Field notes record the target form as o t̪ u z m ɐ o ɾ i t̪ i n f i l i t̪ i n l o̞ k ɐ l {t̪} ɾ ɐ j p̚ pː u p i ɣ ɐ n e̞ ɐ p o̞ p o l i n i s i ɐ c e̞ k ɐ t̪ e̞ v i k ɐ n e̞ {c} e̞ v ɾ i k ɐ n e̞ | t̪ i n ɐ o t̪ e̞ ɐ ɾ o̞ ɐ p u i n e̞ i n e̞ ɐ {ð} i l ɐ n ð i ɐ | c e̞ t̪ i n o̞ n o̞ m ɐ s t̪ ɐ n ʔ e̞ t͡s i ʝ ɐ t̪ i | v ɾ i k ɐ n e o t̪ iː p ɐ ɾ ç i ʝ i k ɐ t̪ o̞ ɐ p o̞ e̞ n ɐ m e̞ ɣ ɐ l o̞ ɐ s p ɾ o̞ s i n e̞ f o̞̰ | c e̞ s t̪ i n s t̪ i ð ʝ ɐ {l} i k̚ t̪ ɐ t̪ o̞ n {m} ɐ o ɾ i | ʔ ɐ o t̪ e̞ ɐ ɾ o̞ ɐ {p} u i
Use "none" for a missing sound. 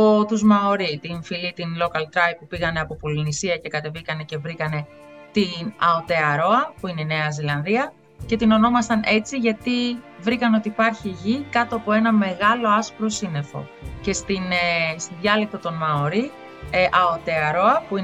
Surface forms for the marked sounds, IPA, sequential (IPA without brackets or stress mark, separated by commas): t̪, c, z, l, m, p